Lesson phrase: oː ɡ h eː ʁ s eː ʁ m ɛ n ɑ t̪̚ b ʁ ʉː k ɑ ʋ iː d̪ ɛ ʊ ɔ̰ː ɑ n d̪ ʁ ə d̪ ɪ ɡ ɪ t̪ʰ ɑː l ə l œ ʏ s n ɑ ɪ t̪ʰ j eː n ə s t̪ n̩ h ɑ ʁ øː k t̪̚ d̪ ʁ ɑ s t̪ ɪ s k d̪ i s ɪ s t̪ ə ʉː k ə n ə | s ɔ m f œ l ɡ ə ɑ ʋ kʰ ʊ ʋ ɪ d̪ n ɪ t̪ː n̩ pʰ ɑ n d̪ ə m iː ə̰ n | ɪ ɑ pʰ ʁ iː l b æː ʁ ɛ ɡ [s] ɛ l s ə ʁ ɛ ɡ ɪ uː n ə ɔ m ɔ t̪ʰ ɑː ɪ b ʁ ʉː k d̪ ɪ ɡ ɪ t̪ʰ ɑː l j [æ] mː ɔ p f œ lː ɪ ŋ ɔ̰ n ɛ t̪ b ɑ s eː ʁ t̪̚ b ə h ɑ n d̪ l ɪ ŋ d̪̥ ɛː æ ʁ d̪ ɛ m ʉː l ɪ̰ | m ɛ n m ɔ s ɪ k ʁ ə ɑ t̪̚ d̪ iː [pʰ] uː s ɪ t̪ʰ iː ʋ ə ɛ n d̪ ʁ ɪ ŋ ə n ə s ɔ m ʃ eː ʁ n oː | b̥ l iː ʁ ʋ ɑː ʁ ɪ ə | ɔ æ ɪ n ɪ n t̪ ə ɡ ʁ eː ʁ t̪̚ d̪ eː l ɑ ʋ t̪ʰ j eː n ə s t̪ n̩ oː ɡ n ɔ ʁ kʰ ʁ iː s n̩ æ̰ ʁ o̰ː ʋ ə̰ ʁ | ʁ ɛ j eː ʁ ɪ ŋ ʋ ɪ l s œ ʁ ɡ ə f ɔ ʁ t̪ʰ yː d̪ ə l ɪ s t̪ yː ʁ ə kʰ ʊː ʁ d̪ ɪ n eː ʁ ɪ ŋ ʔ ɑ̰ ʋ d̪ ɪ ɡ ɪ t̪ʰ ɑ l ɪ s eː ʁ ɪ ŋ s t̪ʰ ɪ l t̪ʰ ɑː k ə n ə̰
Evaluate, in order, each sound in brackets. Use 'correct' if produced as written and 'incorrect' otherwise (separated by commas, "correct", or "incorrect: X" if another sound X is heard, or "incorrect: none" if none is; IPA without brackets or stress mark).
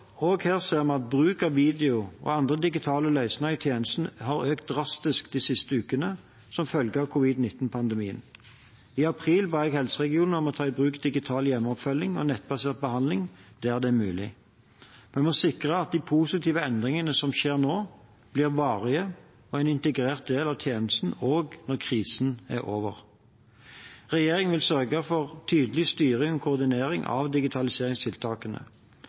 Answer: incorrect: h, incorrect: ɛ, correct